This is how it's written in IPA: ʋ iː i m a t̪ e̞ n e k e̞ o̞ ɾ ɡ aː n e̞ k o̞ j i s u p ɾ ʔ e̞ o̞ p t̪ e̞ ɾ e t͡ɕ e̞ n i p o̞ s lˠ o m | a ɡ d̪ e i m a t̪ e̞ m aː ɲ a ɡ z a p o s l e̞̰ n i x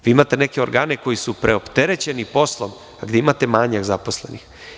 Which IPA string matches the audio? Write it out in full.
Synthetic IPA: ʋ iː i m a t̪ e̞ n e k e̞ o̞ ɾ ɡ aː n e̞ k o̞ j i s u p ɾ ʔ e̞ o̞ p t̪ e̞ ɾ e t͡ɕ e̞ n i p o̞ s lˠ o m | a ɡ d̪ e i m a t̪ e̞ m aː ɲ a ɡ z a p o s l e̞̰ n i x